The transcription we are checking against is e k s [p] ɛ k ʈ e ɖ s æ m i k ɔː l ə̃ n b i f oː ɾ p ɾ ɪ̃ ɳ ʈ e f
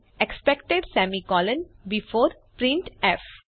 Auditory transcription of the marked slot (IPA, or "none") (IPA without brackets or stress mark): p